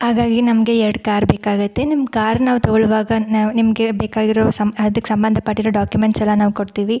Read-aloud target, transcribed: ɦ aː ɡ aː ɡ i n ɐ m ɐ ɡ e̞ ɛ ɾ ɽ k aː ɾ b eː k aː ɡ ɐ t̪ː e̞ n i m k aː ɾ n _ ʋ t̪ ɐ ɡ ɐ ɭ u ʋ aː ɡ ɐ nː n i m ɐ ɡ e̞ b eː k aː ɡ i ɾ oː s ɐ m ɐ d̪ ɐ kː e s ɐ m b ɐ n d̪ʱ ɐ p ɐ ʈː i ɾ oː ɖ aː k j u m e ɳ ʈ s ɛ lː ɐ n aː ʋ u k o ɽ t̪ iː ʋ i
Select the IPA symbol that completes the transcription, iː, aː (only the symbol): aː